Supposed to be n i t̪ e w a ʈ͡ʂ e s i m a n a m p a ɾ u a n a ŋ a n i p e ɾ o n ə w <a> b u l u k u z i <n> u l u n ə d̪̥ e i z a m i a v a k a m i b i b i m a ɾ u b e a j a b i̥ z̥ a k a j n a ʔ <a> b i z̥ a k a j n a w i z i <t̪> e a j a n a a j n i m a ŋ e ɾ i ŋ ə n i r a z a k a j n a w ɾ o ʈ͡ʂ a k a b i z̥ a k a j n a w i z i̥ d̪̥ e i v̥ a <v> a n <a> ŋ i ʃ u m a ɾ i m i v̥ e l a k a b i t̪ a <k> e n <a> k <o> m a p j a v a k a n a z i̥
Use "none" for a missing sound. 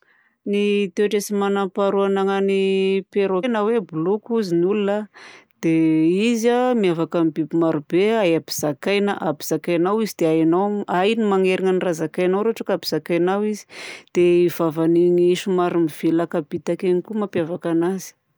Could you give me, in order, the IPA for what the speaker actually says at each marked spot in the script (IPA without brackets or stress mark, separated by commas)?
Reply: e, n, a, d̪, v, i, k, i, u